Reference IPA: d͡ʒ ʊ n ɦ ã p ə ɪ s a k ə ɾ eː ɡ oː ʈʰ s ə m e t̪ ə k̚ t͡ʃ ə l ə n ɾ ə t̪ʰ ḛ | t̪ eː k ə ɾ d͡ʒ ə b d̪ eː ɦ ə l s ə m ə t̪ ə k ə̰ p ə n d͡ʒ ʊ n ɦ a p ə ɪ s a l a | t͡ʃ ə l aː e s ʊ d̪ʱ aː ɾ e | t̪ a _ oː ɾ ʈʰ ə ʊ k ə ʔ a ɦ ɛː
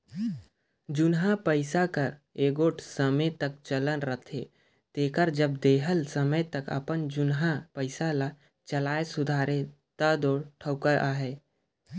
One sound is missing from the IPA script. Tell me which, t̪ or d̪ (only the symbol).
d̪